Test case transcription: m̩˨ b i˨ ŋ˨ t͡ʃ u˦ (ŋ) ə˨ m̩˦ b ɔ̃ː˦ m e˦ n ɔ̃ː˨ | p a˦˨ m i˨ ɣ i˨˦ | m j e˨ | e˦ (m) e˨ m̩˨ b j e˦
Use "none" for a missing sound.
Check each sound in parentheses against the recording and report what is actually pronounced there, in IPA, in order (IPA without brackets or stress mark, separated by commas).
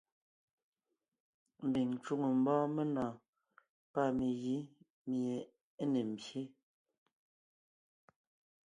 ŋ, n